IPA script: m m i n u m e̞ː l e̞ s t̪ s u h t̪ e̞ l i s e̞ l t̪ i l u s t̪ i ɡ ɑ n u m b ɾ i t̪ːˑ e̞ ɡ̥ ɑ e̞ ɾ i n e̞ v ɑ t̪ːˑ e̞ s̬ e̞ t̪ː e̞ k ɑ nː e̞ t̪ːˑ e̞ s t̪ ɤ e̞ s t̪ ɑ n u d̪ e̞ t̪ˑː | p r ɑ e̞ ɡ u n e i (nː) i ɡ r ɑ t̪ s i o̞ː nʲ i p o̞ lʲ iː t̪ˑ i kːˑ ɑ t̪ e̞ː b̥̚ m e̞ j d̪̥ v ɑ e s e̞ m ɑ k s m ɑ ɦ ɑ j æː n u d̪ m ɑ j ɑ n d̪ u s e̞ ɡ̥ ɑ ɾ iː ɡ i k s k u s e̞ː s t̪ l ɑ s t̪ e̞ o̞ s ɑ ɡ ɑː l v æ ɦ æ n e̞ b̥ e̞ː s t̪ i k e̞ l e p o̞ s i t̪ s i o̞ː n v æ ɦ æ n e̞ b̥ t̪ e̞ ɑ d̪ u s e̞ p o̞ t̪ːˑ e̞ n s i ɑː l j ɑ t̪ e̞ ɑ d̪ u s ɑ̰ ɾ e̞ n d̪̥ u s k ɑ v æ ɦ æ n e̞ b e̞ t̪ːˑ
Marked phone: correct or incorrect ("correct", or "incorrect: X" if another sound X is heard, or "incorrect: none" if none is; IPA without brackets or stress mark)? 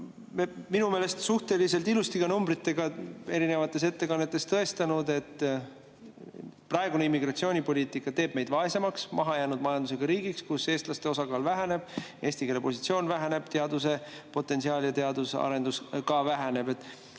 incorrect: mː